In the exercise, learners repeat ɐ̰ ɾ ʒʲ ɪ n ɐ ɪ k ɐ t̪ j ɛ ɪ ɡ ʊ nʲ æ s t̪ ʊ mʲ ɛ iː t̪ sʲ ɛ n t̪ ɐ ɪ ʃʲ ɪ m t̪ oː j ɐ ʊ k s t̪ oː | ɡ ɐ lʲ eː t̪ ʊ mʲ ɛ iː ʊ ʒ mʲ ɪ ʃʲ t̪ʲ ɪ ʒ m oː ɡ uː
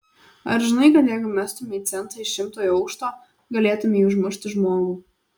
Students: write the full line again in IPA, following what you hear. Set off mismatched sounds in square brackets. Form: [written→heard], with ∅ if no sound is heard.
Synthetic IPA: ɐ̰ ɾ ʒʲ ɪ n ɐ ɪ k ɐ t̪ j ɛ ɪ ɡ ʊ [nʲ→mʲ] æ s t̪ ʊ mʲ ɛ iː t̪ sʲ ɛ n t̪ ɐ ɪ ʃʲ ɪ m t̪ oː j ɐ ʊ k [s→ʃ] t̪ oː | ɡ ɐ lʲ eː t̪ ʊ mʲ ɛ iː ʊ ʒ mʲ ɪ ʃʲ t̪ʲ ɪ ʒ m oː ɡ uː